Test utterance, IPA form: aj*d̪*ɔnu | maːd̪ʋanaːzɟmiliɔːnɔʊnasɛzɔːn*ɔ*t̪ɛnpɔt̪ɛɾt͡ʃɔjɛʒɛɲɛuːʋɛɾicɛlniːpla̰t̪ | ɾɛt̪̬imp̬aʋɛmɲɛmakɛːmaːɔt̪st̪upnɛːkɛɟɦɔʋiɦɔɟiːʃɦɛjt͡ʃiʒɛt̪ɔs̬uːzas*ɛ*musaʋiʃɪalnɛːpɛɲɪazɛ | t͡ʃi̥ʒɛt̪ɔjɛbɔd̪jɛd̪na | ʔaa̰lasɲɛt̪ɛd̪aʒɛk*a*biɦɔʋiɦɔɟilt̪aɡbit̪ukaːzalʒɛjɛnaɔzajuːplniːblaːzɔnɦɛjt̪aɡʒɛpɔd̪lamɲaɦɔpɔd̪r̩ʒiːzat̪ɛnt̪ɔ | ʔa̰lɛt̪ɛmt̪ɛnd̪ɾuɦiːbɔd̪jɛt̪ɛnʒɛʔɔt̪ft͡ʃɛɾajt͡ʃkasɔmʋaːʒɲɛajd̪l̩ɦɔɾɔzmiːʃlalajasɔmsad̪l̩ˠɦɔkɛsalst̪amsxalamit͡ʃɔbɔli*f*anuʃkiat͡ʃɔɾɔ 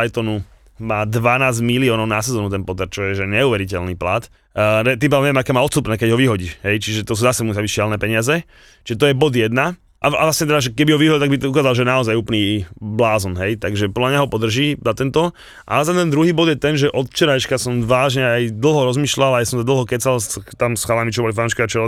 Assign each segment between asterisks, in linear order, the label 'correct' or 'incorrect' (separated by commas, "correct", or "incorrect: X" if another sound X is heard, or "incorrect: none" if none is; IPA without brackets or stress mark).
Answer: incorrect: t̪, incorrect: u, correct, incorrect: ɛ, correct